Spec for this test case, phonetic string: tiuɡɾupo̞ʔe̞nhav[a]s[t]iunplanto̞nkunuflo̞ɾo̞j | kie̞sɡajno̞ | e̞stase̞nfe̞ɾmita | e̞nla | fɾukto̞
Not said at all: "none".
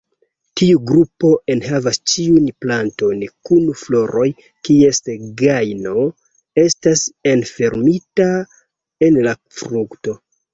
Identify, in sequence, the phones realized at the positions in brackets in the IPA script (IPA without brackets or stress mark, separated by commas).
a, t͡ʃ